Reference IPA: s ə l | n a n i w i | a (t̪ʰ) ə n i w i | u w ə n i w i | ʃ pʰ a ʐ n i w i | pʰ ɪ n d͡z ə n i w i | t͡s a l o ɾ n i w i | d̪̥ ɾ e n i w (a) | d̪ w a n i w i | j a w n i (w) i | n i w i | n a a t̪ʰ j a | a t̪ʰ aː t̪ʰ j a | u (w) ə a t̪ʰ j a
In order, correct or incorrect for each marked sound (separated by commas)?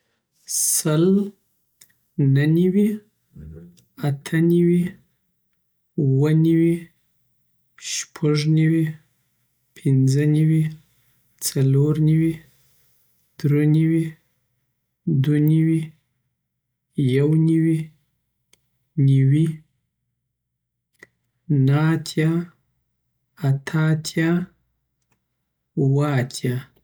correct, incorrect, correct, correct